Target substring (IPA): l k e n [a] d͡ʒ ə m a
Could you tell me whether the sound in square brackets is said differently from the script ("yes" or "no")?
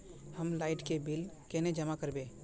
yes